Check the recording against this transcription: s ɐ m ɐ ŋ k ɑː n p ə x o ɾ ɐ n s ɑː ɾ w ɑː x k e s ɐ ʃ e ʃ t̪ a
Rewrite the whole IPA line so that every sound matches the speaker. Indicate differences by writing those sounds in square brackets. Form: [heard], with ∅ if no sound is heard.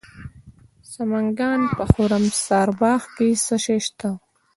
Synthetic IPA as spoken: s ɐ m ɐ ŋ [ɡ] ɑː n p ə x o ɾ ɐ [m] s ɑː ɾ [b] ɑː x k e s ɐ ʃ e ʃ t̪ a

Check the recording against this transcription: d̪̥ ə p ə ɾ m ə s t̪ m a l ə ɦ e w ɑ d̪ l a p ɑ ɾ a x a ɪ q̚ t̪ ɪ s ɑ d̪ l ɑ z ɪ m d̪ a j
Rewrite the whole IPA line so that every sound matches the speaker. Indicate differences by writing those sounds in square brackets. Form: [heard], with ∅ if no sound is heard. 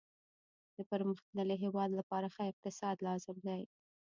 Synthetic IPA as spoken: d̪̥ ə p ə ɾ m ə [x] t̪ [n] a l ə ɦ e w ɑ d̪ l a p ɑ ɾ a x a ɪ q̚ t̪ ɪ s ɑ d̪ l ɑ z ɪ m d̪ a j

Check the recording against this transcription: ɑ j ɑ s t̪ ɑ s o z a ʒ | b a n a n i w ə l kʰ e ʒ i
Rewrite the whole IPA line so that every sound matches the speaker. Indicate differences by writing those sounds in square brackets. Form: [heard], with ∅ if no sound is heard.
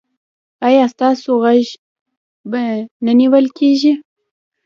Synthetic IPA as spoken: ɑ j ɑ s t̪ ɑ s o [ɣ] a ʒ | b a n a n i w ə l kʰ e ʒ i

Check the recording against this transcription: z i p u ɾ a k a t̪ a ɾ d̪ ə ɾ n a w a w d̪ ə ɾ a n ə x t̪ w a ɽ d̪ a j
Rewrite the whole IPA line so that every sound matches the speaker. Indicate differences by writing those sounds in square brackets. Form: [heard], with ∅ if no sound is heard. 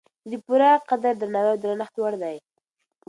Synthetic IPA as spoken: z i p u ɾ a [q] a [d̪] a ɾ d̪ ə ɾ n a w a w d̪ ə ɾ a n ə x t̪ w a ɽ d̪ a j

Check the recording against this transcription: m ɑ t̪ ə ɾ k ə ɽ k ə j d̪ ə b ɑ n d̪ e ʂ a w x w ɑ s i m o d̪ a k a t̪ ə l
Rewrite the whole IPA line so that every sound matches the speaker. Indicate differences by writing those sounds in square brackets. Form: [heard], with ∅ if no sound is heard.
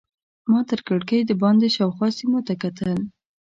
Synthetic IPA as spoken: m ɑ t̪ ə ɾ k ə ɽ k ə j d̪ ə b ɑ n d̪ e [ʃ] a w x w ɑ s i m o [t̪] a k a t̪ ə l

